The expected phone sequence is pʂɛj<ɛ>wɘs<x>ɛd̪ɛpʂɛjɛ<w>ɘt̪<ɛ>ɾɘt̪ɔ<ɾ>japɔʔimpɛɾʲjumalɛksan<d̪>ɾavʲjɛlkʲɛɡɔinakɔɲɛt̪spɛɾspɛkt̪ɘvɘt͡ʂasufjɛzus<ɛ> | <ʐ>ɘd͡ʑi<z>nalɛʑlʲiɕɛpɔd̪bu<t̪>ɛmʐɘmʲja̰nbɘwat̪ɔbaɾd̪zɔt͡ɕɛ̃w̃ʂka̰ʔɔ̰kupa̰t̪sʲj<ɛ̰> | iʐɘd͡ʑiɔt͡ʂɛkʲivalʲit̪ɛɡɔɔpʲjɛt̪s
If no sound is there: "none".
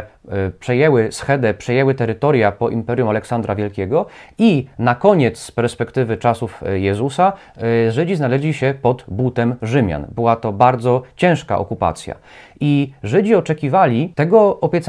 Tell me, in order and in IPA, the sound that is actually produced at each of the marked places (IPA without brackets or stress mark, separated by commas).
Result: ɛ, x, w, ɛ, ɾ, d̪, a, ʐ, z, t̪, a̰